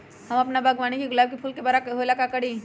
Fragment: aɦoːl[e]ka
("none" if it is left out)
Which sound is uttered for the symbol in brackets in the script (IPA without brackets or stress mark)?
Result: a